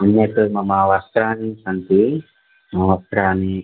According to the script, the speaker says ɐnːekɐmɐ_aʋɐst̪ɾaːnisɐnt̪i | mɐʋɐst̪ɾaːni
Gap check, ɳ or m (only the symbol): m